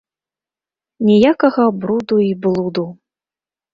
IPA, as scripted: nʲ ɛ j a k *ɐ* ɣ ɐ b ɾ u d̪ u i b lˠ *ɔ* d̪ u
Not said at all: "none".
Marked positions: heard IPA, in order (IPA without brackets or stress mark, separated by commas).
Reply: ɐ, u